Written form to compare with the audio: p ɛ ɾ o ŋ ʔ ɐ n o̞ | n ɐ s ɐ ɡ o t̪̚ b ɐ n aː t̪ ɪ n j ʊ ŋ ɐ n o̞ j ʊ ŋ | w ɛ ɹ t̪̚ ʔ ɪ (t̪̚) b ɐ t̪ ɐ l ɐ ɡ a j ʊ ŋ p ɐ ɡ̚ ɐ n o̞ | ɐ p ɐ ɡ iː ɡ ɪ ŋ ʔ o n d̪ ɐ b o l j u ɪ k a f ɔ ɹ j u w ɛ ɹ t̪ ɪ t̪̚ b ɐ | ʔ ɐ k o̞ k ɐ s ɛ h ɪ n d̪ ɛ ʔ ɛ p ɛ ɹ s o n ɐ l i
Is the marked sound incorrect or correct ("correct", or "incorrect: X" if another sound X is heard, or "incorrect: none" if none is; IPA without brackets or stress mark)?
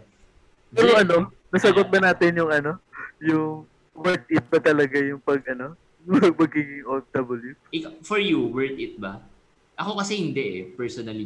correct